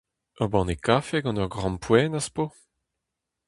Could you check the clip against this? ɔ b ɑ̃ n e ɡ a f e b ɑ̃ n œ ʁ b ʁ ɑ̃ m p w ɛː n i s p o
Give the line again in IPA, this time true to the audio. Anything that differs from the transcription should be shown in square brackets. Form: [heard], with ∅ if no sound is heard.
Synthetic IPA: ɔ b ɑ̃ n e [k] a f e [ɡ] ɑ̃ n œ ʁ [ɡ] ʁ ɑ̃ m p w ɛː n [a] s p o